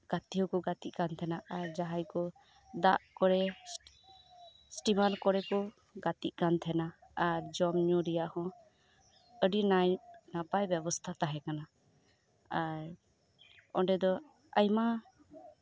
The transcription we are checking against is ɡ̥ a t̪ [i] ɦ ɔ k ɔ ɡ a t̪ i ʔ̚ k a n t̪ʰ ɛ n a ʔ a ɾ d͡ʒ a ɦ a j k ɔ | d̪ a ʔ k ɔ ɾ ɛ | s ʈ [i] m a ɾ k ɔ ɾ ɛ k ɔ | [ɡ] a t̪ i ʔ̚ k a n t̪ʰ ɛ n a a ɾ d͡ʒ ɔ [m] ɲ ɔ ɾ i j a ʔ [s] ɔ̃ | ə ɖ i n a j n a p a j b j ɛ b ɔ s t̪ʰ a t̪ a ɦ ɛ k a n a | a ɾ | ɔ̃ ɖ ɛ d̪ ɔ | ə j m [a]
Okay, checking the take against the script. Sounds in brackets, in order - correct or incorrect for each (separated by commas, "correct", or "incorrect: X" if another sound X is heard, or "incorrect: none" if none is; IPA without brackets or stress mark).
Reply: correct, correct, correct, correct, incorrect: h, correct